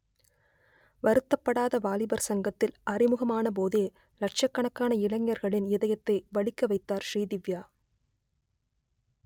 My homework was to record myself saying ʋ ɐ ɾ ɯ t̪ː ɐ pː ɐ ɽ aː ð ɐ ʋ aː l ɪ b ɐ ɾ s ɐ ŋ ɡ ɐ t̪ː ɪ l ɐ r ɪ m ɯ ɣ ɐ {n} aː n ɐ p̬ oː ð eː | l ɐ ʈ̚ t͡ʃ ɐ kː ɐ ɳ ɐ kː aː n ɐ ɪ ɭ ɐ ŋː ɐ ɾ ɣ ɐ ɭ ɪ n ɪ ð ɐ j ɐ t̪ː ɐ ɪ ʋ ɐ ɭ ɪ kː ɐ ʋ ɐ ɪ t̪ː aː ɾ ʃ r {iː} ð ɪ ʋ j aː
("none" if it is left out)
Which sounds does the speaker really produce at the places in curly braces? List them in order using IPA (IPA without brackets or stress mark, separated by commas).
m, iː